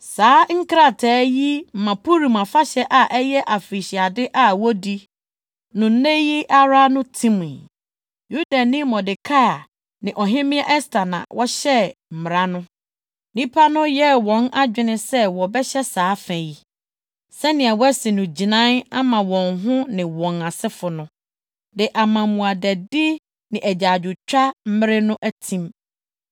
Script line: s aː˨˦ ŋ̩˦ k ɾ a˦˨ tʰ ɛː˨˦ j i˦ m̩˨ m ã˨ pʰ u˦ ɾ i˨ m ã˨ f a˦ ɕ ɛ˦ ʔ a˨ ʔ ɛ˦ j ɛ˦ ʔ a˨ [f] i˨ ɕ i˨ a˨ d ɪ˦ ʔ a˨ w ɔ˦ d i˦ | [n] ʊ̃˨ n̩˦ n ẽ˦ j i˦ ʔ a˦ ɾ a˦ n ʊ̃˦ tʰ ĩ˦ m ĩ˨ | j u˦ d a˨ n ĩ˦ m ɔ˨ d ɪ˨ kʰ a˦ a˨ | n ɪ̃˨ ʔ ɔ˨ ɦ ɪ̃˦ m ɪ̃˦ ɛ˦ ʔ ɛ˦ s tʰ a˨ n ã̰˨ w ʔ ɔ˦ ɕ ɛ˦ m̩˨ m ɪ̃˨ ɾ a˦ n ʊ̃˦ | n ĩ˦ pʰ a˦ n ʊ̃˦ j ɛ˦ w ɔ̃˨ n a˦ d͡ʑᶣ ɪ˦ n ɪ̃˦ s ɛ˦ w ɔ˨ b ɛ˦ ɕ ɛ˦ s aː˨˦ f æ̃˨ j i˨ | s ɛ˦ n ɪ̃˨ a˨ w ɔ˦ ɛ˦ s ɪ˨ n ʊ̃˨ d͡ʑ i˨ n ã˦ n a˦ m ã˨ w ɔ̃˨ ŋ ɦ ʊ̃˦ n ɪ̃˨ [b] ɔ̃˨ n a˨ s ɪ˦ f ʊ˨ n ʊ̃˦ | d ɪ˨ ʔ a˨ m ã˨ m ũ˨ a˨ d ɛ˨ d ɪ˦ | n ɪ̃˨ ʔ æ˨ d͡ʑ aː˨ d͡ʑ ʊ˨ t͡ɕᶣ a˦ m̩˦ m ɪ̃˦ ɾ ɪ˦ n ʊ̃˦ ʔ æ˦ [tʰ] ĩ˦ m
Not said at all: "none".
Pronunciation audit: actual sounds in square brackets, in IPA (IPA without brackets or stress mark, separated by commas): f, n, w, tʰ